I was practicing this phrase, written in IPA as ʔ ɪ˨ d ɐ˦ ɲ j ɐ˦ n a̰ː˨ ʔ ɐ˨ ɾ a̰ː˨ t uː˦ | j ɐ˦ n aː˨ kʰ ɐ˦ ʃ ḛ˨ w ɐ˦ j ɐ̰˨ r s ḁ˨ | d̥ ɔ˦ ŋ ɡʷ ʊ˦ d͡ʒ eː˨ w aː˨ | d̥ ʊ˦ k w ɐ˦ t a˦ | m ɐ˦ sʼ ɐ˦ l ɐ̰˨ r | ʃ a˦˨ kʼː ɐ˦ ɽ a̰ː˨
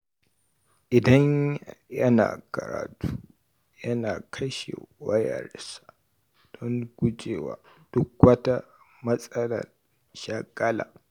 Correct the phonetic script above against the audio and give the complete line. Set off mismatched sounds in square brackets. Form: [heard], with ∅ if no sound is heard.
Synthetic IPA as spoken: ʔ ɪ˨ d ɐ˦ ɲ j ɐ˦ n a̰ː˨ [k] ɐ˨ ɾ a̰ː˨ t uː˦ | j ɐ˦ n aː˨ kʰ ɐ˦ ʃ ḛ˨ w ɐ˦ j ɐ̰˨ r s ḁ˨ | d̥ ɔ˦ ŋ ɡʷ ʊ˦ d͡ʒ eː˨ w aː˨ | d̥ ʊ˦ k w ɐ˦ t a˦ | m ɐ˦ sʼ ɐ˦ l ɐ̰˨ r | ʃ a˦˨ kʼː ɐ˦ [l] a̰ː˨